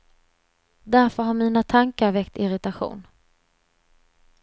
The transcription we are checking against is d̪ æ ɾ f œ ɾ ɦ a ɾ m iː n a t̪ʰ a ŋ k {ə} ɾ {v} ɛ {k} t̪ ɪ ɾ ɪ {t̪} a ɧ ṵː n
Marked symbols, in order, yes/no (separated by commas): no, yes, yes, yes